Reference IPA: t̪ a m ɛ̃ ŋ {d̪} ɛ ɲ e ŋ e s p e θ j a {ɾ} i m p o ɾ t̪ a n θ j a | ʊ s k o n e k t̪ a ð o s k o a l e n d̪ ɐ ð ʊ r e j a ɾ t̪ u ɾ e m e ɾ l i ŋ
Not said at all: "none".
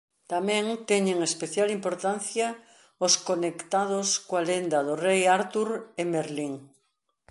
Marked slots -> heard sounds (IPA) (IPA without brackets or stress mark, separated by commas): t̪, l